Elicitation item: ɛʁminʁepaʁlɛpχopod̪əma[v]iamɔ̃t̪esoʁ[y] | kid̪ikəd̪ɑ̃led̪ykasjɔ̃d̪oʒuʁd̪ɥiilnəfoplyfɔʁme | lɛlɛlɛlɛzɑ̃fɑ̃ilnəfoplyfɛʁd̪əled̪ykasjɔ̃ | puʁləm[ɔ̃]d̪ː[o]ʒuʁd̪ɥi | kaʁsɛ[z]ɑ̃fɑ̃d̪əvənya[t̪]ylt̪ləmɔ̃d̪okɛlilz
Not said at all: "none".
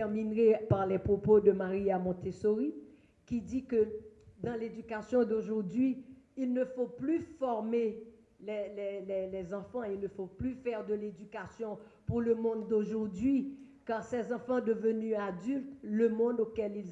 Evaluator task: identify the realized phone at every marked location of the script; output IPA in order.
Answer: ʁ, i, ɔ̃, o, z, d̪

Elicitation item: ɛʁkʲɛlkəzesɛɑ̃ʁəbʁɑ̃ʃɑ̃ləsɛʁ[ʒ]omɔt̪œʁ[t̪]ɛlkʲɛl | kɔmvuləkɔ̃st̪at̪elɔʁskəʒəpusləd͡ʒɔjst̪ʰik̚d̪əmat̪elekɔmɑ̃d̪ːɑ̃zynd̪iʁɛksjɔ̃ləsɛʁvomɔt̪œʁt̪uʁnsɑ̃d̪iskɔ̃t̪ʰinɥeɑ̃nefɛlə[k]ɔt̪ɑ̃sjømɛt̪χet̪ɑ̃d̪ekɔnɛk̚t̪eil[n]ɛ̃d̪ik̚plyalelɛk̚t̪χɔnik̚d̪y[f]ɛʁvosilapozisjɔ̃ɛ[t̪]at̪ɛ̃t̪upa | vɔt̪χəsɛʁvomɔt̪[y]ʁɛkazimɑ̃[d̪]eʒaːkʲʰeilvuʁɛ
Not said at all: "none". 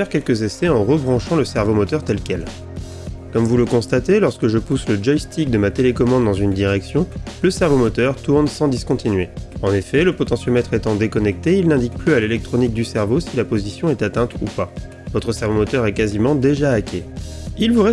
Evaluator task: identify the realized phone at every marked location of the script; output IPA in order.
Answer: v, t̪, p, n, s, t̪, œ, d̪

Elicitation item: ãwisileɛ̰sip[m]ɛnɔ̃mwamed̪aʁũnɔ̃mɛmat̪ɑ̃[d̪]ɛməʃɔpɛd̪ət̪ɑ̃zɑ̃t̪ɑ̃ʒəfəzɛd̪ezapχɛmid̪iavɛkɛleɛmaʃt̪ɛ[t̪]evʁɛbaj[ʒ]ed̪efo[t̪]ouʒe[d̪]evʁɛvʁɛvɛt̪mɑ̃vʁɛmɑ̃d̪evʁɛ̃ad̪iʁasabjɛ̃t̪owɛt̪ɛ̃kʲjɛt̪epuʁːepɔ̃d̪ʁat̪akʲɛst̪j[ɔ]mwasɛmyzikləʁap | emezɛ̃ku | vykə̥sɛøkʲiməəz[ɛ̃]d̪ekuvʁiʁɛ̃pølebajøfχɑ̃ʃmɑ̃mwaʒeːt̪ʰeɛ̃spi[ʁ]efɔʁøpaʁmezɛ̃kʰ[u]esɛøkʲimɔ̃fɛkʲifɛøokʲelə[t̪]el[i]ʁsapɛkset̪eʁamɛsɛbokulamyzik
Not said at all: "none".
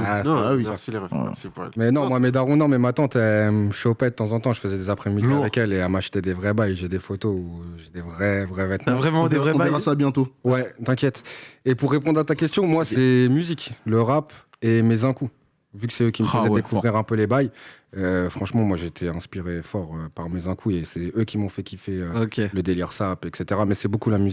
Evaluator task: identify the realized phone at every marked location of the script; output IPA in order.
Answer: m, t̪, d̪, ʒ, t̪, d̪, ɔ̃, ɛ, ʁ, u, d̪, i

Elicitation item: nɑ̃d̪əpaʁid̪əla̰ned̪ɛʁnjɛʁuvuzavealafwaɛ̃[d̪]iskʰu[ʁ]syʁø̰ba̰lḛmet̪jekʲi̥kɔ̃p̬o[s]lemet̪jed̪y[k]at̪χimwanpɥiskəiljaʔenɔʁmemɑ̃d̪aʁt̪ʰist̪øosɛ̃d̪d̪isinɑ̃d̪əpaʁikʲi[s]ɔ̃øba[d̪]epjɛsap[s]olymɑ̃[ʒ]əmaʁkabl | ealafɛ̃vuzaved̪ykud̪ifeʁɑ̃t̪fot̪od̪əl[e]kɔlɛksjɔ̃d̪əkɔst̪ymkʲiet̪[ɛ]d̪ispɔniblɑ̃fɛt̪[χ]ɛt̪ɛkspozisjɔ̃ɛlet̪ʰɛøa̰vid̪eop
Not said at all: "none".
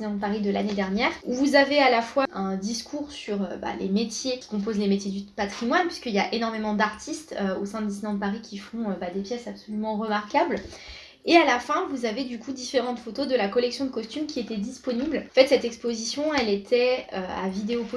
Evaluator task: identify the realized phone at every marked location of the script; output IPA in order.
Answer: d̪, ʁ, z, p, f, d̪, s, ʁ, a, ɛ, s

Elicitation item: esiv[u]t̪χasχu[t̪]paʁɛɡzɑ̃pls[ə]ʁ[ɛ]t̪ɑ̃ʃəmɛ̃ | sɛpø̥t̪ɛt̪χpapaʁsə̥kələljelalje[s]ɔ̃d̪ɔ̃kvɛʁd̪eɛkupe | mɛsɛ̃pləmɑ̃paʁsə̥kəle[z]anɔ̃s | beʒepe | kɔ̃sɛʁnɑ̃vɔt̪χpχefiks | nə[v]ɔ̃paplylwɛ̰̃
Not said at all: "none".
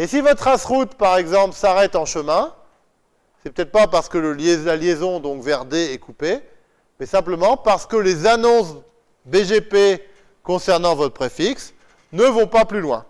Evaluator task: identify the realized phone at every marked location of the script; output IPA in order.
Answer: ɔ, t̪, a, ɛ, z, z, v

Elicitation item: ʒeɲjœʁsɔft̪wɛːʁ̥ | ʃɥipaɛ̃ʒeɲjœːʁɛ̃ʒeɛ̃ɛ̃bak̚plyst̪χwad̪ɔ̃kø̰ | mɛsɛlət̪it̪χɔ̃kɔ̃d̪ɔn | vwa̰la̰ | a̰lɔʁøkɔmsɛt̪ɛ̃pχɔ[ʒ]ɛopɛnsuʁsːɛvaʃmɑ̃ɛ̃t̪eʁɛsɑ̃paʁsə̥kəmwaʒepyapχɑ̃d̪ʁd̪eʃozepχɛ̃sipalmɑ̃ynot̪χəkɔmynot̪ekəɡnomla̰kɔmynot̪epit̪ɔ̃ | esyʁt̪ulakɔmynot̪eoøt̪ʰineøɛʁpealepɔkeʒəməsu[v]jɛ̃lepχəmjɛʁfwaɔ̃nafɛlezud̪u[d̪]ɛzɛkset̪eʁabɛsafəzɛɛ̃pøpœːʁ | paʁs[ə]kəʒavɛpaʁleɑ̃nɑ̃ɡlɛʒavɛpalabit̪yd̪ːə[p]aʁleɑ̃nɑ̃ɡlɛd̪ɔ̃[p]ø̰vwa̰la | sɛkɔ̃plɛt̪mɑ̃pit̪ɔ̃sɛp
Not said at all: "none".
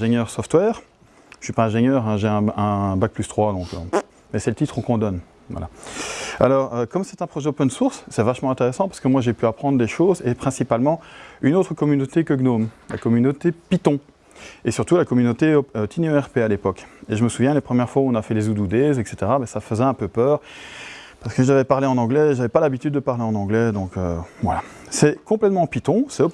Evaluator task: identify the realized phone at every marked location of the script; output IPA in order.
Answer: ʒ, v, d̪, ə, p, k

